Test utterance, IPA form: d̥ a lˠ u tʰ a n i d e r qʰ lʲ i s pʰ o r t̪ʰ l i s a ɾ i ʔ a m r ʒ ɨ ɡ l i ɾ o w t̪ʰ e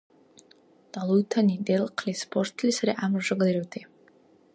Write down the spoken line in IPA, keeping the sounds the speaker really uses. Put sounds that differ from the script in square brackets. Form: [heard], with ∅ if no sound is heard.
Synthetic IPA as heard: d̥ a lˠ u tʰ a n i d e [l] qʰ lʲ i s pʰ o r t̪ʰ l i s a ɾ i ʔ a m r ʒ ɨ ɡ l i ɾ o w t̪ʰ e